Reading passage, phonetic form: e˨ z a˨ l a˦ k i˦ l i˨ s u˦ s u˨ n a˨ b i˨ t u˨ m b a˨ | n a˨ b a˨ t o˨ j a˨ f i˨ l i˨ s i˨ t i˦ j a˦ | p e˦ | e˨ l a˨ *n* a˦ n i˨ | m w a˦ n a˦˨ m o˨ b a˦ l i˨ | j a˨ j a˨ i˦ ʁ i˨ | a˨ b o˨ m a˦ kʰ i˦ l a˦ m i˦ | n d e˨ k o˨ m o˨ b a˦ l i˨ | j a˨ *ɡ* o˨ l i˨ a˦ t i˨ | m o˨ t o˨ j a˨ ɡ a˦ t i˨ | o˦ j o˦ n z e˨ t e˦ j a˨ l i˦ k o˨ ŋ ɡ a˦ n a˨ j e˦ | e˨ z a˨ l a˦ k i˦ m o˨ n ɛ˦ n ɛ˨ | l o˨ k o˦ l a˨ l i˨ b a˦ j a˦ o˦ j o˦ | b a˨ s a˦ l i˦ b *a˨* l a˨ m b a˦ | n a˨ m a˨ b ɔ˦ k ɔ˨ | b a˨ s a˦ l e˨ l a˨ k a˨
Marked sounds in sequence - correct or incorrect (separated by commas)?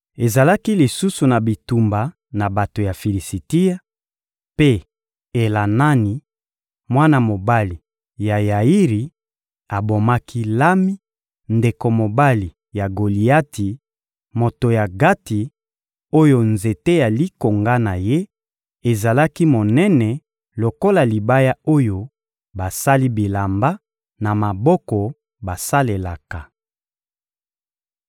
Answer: correct, correct, incorrect